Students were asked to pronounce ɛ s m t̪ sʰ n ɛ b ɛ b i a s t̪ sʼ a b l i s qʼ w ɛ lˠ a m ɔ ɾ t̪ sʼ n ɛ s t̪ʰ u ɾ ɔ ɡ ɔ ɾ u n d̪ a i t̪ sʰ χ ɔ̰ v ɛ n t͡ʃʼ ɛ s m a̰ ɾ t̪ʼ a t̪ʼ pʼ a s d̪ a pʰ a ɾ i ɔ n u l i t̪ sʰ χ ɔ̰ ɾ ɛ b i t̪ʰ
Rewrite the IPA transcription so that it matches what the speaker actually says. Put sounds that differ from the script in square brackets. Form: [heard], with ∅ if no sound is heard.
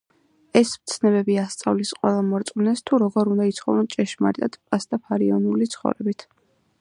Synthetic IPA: ɛ s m t̪ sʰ n ɛ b ɛ b i a s t̪ sʼ a [v] l i s qʼ w ɛ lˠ a m ɔ ɾ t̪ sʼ n ɛ s t̪ʰ u ɾ ɔ ɡ ɔ ɾ u n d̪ a i t̪ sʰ χ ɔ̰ v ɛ n t͡ʃʼ ɛ [ʃ] m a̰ ɾ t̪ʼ a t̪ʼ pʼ a s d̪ a pʰ a ɾ i ɔ n u l i t̪ sʰ χ ɔ̰ ɾ ɛ b i t̪ʰ